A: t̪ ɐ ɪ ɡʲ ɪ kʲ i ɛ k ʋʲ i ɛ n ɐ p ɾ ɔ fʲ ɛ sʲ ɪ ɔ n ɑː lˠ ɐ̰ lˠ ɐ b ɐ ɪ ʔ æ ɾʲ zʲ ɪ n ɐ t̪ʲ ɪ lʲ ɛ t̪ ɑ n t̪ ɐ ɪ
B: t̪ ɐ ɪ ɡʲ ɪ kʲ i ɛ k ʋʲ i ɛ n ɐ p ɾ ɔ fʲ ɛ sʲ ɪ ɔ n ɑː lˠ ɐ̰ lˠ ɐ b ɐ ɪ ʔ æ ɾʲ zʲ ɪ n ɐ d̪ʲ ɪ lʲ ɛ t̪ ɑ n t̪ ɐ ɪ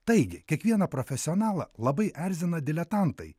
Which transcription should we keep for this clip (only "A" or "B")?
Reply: B